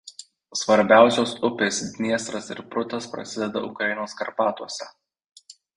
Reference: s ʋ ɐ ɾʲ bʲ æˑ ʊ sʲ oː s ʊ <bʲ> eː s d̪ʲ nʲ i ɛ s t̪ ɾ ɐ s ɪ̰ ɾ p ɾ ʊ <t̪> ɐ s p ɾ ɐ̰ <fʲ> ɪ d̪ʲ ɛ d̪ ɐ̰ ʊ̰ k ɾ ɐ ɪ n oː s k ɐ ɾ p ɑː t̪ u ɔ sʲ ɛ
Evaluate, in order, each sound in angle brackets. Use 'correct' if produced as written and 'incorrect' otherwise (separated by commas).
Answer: incorrect, correct, incorrect